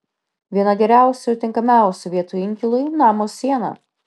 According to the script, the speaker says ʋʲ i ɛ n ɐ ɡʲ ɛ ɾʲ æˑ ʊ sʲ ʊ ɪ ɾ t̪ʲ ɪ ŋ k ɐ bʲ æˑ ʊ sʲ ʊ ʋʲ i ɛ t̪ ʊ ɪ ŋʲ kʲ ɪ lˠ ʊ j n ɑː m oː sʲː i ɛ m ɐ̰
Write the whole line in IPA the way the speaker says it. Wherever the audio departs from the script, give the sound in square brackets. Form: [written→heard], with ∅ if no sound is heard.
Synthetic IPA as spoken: ʋʲ i ɛ n ɐ ɡʲ ɛ ɾʲ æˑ ʊ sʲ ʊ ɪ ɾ t̪ʲ ɪ ŋ k ɐ [bʲ→mʲ] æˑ ʊ sʲ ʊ ʋʲ i ɛ t̪ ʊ ɪ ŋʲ kʲ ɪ lˠ ʊ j n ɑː m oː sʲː i ɛ [m→n] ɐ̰